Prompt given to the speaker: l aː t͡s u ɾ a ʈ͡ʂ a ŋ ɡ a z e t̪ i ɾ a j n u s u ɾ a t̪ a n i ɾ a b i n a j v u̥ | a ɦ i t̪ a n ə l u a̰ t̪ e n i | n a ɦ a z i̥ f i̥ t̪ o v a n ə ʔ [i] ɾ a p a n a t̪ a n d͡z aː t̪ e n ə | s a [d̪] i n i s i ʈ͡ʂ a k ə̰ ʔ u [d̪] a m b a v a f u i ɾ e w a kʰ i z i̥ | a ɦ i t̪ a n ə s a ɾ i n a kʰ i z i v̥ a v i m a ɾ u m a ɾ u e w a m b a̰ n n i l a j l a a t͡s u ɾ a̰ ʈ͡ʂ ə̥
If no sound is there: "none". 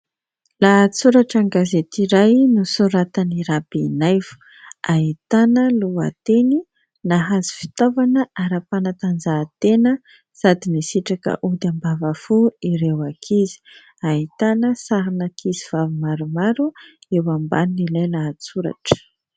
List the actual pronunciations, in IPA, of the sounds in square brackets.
a, d̪, d̪

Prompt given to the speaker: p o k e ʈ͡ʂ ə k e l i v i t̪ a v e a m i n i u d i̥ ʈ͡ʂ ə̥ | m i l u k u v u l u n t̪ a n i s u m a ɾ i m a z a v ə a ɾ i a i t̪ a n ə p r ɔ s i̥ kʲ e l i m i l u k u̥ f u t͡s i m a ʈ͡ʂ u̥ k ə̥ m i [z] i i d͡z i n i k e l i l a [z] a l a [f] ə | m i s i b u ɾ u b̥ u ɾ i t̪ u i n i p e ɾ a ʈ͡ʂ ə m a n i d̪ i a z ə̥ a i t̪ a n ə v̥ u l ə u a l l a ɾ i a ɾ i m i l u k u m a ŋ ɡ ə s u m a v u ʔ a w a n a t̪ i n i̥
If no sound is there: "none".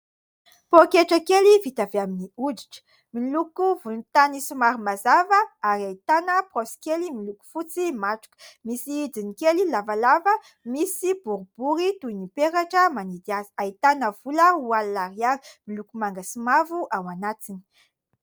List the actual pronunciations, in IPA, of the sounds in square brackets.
s, v, v

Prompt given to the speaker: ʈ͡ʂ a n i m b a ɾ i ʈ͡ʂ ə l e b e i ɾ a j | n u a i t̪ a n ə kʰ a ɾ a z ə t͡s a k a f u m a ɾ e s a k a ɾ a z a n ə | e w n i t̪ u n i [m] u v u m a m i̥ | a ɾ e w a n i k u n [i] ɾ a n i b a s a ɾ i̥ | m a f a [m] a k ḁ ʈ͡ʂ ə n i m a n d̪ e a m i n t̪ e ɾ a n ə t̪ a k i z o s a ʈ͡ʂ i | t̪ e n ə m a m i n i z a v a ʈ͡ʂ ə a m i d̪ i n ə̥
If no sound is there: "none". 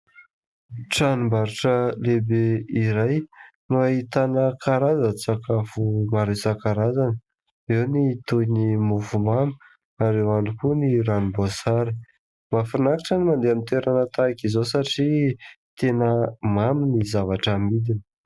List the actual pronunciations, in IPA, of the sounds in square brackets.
m, i, n

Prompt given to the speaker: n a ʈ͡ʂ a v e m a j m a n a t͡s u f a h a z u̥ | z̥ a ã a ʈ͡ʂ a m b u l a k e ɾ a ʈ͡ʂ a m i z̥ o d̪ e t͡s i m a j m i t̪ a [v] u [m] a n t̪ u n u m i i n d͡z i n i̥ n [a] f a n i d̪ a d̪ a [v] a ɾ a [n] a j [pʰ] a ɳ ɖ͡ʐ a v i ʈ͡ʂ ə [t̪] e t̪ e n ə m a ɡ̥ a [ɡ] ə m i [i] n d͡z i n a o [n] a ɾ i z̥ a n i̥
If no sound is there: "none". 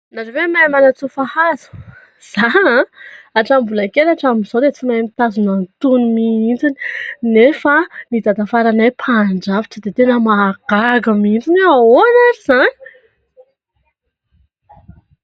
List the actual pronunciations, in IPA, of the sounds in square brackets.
z, n, e, f, n, pʰ, d̪, ɡ, i, n

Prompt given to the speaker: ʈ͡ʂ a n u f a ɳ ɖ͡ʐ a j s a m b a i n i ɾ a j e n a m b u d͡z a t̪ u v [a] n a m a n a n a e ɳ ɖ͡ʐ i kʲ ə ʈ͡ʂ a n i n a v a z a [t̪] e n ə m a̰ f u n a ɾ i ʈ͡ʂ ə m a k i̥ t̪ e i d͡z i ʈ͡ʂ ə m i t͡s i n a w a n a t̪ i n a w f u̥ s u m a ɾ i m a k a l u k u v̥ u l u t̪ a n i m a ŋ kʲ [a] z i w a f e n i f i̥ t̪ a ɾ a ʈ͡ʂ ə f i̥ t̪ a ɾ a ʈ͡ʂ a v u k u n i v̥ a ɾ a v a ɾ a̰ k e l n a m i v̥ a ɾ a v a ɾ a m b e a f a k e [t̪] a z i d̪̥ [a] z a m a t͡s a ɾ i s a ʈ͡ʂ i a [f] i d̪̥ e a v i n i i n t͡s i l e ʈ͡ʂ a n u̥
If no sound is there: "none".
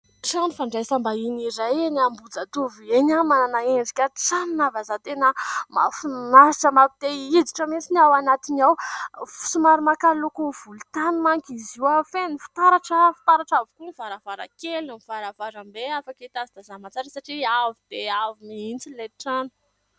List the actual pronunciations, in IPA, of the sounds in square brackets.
e, t̪, i, t̪, a, v

